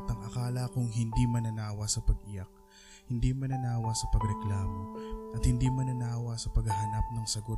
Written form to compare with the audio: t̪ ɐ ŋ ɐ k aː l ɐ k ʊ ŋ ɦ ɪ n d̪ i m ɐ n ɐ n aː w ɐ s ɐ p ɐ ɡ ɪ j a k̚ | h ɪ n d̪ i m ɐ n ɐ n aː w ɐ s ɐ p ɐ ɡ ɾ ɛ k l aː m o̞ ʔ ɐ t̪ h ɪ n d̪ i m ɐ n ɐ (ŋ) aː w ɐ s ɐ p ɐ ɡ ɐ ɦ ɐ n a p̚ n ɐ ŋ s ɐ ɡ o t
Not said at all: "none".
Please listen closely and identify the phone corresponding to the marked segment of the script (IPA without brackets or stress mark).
n